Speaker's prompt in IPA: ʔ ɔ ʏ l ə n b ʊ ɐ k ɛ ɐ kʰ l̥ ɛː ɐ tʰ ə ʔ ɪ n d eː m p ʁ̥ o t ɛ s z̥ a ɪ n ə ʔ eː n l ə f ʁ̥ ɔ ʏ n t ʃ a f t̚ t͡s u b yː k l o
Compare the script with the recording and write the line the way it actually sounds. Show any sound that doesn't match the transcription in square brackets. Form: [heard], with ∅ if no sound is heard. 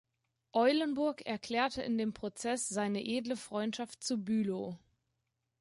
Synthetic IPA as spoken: ʔ ɔ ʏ l ə n b ʊ ɐ k ɛ ɐ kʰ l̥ ɛː ɐ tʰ ə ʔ ɪ n d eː m p ʁ̥ o [t͡s] ɛ s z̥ a ɪ n ə ʔ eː [d] l ə f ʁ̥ ɔ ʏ n t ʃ a f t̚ t͡s u b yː [∅] l o